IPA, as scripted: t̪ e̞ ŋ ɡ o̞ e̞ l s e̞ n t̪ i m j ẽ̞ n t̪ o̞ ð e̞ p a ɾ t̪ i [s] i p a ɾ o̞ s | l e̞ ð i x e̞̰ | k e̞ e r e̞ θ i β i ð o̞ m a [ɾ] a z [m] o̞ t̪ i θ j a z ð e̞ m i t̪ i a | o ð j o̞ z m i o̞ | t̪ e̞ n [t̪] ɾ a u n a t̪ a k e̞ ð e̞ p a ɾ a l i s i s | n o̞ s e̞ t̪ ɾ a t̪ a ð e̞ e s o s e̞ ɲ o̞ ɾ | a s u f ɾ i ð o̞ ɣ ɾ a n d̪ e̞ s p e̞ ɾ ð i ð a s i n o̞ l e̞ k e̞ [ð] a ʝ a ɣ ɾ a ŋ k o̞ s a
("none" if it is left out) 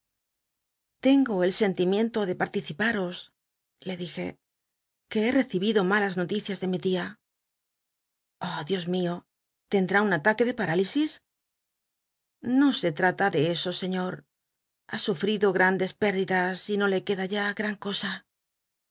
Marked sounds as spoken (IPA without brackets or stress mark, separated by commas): θ, l, n, d̪, ð